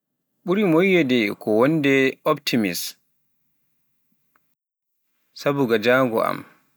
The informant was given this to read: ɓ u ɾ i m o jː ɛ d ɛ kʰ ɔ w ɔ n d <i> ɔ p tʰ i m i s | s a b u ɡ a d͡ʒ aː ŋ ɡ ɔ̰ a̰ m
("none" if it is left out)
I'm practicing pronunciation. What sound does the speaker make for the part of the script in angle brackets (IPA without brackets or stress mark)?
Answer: ɛ